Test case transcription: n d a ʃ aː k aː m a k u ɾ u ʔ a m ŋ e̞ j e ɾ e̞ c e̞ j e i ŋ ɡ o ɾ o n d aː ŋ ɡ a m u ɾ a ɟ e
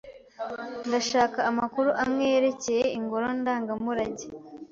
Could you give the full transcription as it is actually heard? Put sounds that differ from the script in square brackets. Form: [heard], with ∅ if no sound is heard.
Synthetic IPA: n d a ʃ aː k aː m a k u ɾ u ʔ a m ŋ e̞ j e ɾ e̞ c e̞ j e i ŋ ɡ o ɾ o n d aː ŋ ɡ a m u ɾ a ɟ e